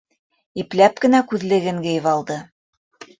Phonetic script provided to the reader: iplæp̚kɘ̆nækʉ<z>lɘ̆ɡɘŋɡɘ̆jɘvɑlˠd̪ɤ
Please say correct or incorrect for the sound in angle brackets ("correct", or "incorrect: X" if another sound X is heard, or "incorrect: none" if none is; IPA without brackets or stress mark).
incorrect: ð